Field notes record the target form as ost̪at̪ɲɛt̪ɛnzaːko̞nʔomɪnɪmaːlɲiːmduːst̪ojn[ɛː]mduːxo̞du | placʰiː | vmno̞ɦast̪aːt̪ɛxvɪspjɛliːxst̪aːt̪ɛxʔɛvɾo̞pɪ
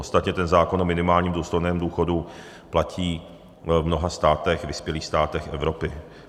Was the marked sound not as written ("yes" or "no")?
no